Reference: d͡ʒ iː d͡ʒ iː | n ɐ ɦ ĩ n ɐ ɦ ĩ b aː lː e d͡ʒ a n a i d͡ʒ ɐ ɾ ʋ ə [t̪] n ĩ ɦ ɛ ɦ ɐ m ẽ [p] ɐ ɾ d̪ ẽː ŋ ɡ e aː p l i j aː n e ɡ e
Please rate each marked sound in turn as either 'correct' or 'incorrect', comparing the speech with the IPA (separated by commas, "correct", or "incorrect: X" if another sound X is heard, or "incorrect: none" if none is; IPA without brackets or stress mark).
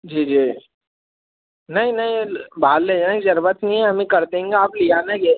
correct, incorrect: k